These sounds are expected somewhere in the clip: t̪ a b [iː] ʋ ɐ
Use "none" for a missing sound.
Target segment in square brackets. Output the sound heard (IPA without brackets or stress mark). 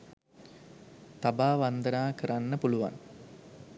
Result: aː